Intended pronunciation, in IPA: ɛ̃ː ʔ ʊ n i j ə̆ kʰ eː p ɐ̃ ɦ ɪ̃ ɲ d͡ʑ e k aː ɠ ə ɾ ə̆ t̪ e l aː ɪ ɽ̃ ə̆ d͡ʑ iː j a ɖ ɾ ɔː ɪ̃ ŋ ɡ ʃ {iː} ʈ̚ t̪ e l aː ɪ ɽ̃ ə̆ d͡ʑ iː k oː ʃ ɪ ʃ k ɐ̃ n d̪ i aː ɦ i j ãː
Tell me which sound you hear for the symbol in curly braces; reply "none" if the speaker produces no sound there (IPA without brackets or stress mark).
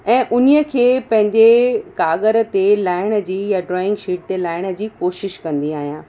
iː